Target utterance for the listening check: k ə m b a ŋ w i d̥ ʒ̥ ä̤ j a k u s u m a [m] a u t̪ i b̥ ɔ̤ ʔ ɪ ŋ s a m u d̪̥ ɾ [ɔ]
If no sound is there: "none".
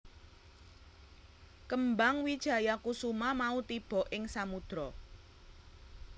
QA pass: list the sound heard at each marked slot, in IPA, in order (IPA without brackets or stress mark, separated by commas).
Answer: m, ɔ